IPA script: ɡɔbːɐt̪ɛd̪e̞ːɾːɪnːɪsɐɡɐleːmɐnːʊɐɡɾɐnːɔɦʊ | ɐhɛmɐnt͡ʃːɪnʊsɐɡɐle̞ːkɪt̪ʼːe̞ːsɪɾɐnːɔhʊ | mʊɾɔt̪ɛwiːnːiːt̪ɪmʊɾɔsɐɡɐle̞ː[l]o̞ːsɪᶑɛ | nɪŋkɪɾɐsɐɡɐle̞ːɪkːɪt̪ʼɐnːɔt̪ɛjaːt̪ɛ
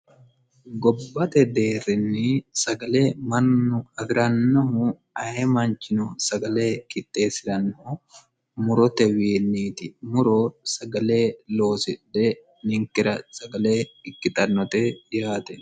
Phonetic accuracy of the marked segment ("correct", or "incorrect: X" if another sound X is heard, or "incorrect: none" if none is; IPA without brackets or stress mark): correct